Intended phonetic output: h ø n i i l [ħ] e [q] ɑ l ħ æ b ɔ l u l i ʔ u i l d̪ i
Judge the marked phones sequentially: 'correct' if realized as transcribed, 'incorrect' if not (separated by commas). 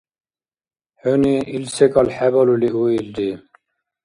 incorrect, incorrect